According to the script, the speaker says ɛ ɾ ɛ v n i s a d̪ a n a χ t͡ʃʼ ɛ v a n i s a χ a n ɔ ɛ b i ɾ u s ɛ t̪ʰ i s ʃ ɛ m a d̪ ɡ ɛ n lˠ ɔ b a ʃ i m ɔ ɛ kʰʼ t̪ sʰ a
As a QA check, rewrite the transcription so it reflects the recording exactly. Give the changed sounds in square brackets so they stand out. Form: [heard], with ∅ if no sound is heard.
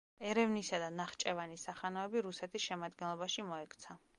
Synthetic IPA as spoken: ɛ ɾ ɛ v n i s a d̪ a n a χ t͡ʃʼ ɛ v a n i s a χ a n ɔ ɛ b i ɾ u s ɛ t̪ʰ i s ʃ ɛ m a d̪ ɡ ɛ n lˠ ɔ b a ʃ i m ɔ ɛ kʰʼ t̪ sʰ a